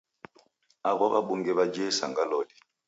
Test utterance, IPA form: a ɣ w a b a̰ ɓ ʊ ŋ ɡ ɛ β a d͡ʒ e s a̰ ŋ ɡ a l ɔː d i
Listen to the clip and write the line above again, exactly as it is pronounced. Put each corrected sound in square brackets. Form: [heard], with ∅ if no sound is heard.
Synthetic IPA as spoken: a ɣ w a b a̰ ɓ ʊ ŋ ɡ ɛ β a d͡ʒ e s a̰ ŋ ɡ a l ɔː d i